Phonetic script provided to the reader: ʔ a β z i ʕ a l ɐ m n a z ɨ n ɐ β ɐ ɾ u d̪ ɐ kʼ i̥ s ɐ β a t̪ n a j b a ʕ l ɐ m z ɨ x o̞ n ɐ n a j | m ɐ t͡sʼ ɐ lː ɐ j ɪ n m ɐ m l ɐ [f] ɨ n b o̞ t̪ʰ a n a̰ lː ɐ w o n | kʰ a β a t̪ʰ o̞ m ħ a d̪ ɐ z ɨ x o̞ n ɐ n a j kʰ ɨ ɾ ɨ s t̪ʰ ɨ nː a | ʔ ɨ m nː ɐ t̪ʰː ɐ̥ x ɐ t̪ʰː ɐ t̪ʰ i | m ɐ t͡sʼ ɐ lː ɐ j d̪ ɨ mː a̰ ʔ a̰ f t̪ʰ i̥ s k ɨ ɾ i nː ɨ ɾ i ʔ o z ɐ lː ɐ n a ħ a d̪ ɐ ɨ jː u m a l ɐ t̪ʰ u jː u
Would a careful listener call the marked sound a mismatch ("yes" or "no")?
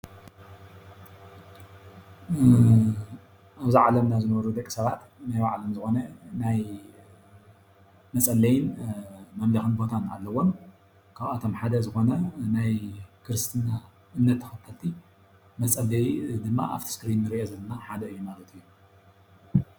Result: yes